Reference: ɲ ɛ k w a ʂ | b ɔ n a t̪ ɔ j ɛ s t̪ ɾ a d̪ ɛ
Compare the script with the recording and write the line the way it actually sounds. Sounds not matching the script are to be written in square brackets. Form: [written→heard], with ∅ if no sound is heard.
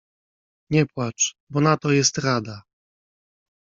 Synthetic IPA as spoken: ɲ ɛ [k→p] w a [ʂ→t͡ʂ] | b ɔ n a t̪ ɔ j ɛ s t̪ ɾ a d̪ [ɛ→a]

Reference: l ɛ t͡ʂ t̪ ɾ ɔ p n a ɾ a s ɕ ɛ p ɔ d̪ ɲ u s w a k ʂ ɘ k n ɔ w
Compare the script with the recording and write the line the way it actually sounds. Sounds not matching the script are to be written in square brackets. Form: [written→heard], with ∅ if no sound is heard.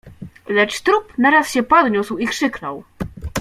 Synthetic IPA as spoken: l ɛ t͡ʂ t̪ ɾ [ɔ→u] p n a ɾ a s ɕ ɛ p ɔ d̪ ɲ u s w [a→i] k ʂ ɘ k n ɔ w

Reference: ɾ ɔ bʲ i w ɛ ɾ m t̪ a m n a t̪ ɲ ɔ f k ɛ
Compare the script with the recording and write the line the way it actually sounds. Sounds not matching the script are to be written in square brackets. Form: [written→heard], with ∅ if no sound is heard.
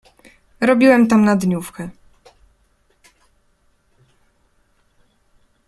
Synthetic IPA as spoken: ɾ ɔ bʲ i w ɛ [ɾ→∅] m t̪ a m n a [t̪→d̪] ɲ [ɔ→u] f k ɛ

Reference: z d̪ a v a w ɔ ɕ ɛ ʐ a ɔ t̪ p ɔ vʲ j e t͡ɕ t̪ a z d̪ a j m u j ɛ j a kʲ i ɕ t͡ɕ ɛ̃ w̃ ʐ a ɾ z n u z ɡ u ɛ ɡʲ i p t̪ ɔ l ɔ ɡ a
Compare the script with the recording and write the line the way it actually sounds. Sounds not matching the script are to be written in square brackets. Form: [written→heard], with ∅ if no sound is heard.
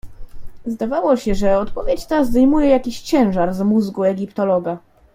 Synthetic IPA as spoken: z d̪ a v a w ɔ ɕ ɛ ʐ [a→ɛ] ɔ t̪ p ɔ vʲ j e t͡ɕ t̪ a z d̪ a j m u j ɛ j a kʲ i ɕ t͡ɕ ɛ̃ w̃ ʐ a ɾ z [n→m] u z ɡ u ɛ ɡʲ i p t̪ ɔ l ɔ ɡ a

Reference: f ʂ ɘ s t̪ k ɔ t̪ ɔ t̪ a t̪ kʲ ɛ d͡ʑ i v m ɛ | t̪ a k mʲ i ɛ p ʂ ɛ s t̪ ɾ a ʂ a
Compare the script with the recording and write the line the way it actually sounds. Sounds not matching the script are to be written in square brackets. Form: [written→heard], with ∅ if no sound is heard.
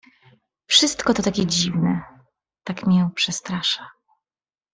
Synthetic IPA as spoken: f ʂ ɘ s t̪ k ɔ t̪ ɔ t̪ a [t̪→∅] kʲ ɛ d͡ʑ i v [m→n] ɛ | t̪ a k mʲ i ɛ p ʂ ɛ s t̪ ɾ a ʂ a

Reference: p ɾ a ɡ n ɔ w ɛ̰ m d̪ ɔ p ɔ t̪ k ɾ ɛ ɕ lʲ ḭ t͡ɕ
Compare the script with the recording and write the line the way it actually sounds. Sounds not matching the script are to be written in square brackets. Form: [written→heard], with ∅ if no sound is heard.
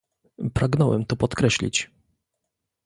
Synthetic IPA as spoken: p ɾ a ɡ n ɔ w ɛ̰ m [d̪→t̪] ɔ p ɔ t̪ k ɾ ɛ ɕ lʲ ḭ t͡ɕ

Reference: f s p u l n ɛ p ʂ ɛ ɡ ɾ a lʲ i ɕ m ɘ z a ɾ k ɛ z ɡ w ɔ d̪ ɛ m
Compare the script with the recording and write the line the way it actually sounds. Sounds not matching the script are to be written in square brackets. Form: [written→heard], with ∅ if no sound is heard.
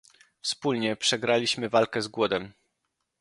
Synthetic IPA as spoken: f s p u l [n→ɲ] ɛ p ʂ ɛ ɡ ɾ a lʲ i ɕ m ɘ [z→v] a [ɾ→l] k ɛ z ɡ w ɔ d̪ ɛ m

